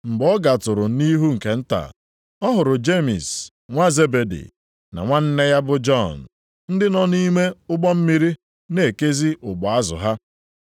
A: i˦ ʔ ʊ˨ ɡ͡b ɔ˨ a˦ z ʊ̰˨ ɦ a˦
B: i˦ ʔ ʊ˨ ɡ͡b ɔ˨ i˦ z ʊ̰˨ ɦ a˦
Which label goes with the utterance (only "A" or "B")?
A